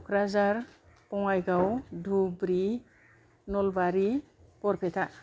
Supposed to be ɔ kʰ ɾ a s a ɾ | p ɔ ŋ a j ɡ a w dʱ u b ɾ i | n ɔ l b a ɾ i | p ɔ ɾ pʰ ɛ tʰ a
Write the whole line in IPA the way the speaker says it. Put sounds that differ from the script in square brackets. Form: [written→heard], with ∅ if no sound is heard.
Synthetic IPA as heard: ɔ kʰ ɾ a [s→z] a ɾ | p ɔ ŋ a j ɡ a w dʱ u b ɾ i | n ɔ l b a ɾ i | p ɔ ɾ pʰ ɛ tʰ a